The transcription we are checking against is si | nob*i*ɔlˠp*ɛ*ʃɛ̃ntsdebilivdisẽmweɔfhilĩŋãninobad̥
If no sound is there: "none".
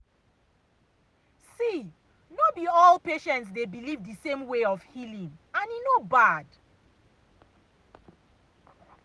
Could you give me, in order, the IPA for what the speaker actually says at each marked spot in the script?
i, e

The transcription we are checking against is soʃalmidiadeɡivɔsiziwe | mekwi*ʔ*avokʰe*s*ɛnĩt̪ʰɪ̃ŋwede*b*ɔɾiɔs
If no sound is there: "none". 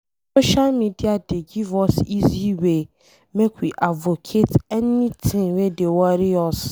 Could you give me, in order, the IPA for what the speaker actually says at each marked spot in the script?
ʔ, t, w

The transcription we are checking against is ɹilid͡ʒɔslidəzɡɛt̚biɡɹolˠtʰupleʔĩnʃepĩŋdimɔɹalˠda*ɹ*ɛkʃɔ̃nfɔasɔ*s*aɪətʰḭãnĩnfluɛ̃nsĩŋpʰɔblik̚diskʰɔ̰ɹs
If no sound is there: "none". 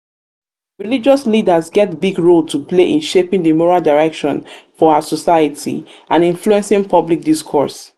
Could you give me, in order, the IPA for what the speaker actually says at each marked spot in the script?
ɹ, s

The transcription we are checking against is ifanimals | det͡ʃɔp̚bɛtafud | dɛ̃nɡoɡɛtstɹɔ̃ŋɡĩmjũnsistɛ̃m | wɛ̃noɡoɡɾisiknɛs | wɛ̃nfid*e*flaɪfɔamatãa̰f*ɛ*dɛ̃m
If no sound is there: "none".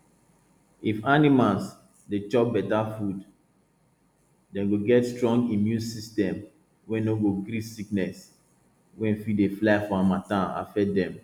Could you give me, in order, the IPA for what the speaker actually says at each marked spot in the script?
e, ɛ

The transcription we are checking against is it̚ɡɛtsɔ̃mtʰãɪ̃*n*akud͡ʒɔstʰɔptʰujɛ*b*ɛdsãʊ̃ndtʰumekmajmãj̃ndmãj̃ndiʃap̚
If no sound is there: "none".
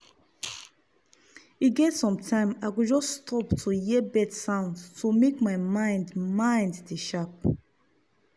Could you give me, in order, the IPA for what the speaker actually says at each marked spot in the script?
m, b

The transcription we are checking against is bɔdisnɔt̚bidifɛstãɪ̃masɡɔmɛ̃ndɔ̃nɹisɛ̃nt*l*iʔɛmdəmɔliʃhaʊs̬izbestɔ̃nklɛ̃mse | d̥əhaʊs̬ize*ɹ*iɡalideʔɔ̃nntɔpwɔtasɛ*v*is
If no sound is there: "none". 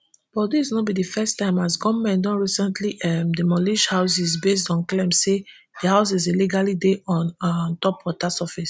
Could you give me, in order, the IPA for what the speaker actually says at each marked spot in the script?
l, l, f

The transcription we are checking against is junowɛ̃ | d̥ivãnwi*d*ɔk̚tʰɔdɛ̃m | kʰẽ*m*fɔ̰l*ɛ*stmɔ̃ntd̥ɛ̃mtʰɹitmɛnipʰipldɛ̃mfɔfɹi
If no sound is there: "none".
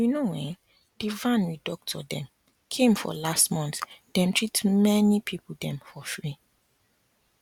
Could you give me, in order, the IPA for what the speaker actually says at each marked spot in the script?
d, m, a

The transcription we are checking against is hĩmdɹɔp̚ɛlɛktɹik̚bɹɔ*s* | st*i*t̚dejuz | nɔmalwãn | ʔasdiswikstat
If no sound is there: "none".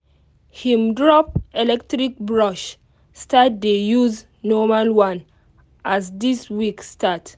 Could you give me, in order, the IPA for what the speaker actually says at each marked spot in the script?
ʃ, a

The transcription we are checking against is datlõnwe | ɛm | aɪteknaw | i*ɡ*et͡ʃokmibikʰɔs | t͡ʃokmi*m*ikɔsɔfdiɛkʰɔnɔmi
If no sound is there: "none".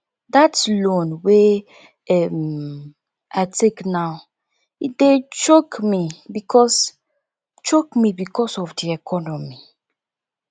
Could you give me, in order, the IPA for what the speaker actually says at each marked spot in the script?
d, b

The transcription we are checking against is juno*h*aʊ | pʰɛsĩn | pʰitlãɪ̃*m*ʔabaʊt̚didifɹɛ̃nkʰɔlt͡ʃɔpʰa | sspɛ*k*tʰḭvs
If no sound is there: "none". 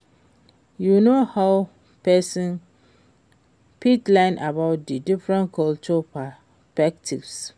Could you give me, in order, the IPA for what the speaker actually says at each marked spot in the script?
h, n, k

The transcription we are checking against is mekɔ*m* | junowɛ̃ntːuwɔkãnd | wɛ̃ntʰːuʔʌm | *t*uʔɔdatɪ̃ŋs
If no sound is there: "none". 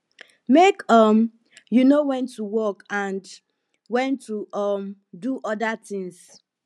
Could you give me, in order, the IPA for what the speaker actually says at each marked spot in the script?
m, d

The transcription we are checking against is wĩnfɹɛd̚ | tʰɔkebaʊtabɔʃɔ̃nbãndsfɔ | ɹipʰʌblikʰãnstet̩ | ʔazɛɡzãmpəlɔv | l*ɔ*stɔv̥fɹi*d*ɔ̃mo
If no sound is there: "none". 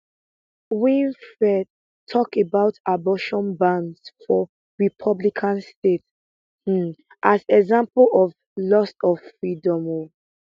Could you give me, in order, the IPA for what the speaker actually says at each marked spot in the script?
ɔ, d

